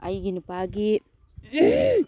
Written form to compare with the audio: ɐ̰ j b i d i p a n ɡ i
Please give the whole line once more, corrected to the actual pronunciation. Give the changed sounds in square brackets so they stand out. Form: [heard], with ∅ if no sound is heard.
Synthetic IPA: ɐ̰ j [ɡ] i [n] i p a [∅] ɡ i